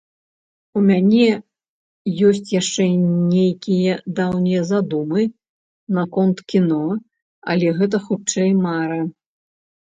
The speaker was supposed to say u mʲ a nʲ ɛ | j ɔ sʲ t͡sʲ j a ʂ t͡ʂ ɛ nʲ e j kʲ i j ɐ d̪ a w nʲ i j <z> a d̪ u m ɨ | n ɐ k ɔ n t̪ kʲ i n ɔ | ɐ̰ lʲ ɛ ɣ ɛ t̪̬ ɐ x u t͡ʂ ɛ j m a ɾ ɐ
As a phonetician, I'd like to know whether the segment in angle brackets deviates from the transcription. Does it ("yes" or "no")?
no